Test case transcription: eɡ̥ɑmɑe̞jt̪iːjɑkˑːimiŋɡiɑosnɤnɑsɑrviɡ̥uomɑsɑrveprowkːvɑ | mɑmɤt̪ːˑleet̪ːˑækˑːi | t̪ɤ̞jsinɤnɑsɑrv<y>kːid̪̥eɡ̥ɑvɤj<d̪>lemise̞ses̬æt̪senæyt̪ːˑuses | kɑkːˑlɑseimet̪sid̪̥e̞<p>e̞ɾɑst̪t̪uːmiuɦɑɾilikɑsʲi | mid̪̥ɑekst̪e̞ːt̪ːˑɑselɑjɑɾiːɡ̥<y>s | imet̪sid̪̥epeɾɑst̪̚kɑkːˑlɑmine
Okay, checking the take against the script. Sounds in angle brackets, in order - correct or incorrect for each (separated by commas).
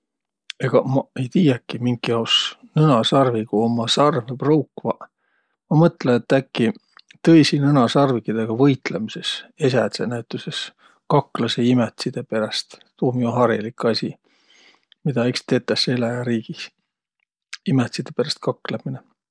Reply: incorrect, incorrect, correct, incorrect